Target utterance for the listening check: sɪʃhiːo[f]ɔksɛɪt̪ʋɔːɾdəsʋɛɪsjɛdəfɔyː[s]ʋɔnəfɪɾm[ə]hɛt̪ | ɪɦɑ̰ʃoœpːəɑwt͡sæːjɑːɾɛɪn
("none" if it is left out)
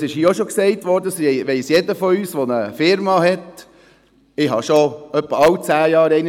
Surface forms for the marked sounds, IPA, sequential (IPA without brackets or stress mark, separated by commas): ʃ, s, ɑ